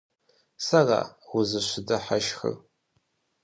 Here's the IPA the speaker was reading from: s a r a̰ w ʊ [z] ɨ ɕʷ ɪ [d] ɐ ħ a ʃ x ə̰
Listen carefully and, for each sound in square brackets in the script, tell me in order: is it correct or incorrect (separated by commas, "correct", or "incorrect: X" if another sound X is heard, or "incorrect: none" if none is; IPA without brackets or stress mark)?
correct, correct